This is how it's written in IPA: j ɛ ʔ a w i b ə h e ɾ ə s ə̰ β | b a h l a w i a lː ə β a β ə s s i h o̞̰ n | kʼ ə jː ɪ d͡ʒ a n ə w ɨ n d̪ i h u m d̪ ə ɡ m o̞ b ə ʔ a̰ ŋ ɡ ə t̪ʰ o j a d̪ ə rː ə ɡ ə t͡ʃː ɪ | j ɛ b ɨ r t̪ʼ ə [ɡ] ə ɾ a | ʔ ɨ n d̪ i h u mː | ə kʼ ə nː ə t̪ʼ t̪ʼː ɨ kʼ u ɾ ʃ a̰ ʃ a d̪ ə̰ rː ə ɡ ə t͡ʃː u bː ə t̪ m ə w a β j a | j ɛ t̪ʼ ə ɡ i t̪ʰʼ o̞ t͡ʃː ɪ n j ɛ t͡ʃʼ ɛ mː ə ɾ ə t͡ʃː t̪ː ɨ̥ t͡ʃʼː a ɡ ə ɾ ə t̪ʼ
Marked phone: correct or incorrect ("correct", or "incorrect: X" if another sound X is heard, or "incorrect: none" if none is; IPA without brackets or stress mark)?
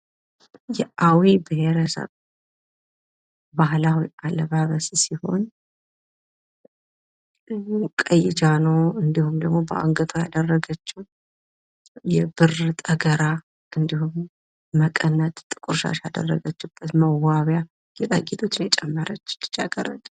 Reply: correct